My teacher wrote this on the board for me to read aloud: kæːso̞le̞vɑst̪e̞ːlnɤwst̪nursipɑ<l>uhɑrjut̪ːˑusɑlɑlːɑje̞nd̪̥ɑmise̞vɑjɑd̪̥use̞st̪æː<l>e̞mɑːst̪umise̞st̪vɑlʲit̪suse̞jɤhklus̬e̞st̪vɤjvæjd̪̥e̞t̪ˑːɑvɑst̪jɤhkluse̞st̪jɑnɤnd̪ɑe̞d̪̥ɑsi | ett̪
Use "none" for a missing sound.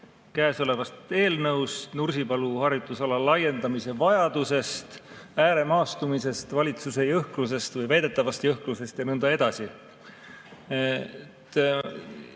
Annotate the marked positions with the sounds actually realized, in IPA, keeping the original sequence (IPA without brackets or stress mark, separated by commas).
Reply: l, ɾ